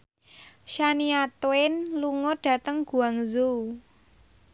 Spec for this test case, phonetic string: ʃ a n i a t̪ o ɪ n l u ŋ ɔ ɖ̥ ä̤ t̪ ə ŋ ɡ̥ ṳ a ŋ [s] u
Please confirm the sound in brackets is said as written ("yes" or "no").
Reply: no